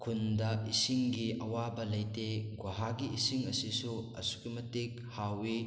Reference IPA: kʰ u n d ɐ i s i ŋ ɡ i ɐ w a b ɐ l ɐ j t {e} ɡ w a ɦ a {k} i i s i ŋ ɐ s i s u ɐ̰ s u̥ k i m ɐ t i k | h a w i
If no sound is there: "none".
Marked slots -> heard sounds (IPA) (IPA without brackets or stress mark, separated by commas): e, ɡ